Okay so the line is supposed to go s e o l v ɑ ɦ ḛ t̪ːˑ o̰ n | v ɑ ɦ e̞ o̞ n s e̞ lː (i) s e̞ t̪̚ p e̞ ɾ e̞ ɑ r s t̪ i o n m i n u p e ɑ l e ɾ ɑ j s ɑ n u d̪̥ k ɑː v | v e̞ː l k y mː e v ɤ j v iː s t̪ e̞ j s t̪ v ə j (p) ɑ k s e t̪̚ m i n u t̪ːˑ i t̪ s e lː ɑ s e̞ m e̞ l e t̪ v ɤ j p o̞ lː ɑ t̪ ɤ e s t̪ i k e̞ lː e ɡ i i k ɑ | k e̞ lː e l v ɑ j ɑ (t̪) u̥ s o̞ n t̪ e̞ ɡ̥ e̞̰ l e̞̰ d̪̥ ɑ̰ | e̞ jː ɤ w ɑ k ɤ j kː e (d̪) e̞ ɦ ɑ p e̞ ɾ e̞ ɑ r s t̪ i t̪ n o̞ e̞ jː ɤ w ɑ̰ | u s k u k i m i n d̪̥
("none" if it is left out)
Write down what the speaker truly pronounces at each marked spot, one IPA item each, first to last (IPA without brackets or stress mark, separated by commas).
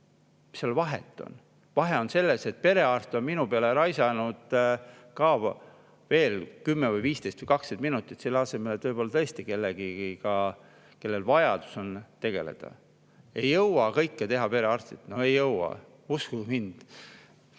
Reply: e, k, d̪, t̪